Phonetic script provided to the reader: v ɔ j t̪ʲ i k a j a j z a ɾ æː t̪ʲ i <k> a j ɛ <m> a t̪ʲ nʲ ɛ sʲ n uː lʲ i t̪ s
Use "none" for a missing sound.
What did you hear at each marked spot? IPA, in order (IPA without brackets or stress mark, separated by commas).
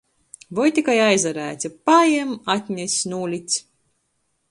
p, m